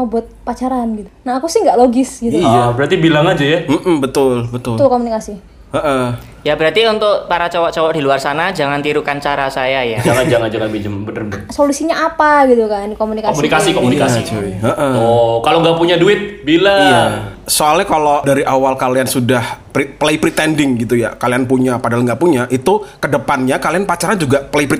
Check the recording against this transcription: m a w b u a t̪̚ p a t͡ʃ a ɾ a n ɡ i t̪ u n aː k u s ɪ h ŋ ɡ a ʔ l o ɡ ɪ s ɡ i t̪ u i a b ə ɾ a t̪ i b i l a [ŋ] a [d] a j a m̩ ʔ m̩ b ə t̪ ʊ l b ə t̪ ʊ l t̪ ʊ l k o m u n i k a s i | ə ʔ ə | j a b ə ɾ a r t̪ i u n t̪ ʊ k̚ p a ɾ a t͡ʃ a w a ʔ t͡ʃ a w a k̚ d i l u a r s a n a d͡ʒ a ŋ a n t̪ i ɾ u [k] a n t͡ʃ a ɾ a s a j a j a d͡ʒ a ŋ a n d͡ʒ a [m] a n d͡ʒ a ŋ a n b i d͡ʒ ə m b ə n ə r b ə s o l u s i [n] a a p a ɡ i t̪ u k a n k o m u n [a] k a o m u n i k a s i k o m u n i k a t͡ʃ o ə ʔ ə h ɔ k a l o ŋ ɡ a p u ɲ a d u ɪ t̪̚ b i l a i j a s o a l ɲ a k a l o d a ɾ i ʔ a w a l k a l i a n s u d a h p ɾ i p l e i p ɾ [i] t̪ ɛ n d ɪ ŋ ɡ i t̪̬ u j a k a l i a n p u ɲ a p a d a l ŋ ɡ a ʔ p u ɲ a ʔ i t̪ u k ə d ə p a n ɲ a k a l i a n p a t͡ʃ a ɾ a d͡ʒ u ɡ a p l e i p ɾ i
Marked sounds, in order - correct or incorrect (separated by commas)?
correct, incorrect, correct, incorrect, incorrect, incorrect, correct